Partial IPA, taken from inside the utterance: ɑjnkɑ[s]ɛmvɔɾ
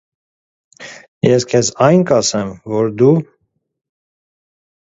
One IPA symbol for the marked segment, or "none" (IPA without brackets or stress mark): s